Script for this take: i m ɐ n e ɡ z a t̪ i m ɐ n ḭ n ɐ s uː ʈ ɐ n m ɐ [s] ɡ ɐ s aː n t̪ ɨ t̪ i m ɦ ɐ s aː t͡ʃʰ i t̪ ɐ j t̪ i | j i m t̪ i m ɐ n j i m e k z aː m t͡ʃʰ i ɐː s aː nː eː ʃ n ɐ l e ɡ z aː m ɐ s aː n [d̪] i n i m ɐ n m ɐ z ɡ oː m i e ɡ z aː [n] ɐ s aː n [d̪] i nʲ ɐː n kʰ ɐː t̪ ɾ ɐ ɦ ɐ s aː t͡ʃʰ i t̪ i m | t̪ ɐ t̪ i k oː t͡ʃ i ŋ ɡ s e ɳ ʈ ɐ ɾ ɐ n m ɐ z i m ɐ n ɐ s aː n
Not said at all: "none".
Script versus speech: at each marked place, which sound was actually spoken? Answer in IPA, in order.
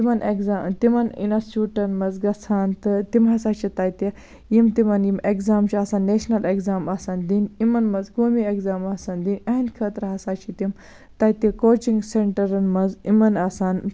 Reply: z, d̪, m, d̪

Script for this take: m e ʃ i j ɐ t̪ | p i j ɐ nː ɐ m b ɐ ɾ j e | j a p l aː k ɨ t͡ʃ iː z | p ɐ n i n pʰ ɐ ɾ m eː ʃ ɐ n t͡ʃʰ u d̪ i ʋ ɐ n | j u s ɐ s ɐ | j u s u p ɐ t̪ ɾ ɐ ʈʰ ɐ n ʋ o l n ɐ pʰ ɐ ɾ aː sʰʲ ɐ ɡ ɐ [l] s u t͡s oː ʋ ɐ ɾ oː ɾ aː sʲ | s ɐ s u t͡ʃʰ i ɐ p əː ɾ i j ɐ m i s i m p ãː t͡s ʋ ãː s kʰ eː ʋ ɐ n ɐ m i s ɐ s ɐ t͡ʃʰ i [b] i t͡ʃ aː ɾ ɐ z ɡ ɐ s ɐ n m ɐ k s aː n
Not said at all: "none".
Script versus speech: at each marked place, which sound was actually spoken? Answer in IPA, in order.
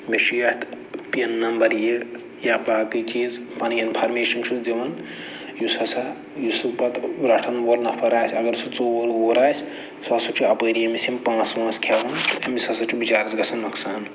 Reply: ɾ, b

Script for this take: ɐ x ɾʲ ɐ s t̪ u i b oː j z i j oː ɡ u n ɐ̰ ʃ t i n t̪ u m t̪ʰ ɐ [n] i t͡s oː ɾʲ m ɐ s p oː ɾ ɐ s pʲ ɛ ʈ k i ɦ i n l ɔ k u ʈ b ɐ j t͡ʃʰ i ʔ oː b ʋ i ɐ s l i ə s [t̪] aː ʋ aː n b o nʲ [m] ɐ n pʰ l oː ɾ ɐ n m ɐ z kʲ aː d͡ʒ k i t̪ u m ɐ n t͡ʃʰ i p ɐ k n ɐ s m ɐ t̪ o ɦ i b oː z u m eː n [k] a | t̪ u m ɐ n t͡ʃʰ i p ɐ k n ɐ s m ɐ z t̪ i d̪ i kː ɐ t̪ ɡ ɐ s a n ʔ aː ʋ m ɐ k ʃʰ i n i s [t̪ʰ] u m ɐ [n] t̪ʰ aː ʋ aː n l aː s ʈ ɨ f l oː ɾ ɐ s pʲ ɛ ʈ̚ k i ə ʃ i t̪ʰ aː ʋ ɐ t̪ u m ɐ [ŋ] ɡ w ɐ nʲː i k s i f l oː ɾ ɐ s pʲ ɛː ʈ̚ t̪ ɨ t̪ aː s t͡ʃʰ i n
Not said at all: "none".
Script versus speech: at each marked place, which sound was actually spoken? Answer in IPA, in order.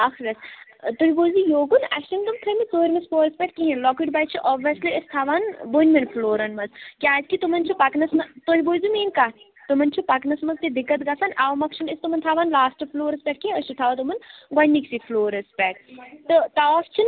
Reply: m, t̪ʰ, m, k, t̪, n, n

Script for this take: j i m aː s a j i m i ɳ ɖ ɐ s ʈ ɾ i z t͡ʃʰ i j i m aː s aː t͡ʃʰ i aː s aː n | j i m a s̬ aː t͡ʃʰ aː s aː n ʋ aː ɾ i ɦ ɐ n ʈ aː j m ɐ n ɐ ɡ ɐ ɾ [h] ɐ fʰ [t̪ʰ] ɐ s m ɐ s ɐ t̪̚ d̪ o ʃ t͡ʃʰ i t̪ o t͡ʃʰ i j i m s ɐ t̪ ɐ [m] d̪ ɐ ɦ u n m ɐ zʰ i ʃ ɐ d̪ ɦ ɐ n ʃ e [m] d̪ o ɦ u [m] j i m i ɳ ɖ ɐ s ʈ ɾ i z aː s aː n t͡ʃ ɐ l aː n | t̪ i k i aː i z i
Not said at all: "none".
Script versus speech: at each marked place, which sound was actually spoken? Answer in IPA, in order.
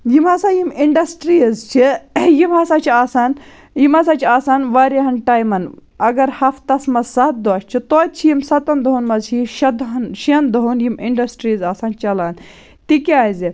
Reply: h, t̪, n, n, n

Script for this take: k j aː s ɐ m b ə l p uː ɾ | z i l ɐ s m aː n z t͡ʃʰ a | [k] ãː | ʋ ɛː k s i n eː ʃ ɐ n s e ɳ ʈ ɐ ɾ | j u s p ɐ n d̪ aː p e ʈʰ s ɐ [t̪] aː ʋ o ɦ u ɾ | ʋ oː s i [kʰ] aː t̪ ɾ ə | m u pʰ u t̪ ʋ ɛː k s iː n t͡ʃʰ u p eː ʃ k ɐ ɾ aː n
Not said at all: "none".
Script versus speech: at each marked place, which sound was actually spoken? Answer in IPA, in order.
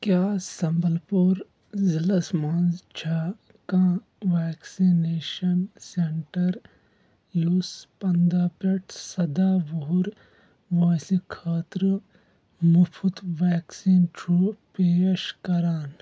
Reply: k, d̪, kʰ

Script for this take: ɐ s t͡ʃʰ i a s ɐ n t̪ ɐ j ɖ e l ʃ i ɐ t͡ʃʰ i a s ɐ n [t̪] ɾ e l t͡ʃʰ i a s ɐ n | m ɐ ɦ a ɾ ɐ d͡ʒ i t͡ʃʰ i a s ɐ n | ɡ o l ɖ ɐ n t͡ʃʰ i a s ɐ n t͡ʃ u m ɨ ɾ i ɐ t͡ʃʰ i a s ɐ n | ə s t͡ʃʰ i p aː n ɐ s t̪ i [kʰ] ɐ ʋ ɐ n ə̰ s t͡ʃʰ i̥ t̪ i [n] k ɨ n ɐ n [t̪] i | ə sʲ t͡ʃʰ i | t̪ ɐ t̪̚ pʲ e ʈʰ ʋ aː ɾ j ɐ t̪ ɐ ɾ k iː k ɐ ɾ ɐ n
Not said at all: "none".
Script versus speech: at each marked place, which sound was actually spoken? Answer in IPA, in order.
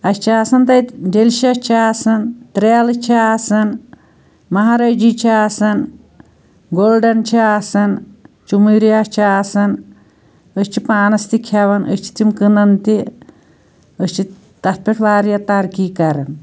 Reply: t̪, kʰ, m, t̪

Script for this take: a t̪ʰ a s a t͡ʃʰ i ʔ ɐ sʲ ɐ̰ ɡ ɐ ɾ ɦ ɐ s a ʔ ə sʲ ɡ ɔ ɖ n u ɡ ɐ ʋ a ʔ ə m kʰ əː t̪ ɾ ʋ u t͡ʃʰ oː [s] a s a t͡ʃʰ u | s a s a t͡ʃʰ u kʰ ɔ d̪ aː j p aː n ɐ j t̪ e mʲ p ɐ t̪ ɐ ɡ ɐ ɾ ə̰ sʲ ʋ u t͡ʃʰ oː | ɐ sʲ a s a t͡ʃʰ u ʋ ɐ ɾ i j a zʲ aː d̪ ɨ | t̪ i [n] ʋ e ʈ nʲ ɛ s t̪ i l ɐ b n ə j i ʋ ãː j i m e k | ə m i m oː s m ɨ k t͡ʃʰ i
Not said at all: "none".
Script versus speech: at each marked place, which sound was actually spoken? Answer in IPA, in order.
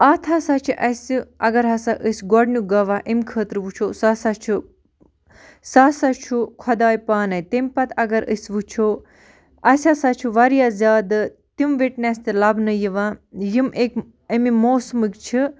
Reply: s, m

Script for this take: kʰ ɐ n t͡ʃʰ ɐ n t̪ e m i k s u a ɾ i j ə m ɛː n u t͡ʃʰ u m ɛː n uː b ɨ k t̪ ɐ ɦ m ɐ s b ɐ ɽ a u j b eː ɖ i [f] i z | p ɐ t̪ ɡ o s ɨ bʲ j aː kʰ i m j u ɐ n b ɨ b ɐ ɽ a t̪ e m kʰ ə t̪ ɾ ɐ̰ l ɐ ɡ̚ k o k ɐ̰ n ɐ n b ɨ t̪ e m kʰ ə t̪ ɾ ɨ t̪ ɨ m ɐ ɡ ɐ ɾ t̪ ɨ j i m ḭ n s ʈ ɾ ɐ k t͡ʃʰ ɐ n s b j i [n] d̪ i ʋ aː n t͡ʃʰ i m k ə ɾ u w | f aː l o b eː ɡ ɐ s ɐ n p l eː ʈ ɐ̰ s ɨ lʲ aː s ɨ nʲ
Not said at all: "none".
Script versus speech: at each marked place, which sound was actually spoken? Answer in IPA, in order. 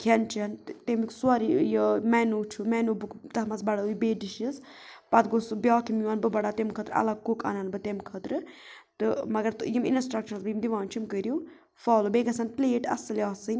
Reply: ʃ, m

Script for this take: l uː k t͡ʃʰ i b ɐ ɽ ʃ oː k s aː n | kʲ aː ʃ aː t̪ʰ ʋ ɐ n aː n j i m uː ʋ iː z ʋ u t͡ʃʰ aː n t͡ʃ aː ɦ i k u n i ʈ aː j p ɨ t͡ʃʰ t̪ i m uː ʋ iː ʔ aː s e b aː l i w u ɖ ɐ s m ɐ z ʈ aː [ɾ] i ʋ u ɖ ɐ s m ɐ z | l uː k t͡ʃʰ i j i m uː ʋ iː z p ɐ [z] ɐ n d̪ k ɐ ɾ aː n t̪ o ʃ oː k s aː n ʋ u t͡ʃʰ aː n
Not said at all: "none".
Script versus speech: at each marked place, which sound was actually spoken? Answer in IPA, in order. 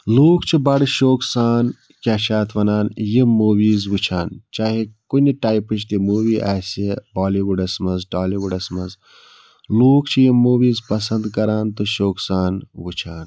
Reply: l, s

